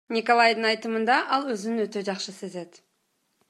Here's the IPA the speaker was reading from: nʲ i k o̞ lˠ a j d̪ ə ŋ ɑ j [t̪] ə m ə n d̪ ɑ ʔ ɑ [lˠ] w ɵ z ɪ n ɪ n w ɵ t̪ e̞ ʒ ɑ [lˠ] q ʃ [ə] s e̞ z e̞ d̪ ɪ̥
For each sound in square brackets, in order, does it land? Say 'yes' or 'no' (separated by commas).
yes, yes, no, yes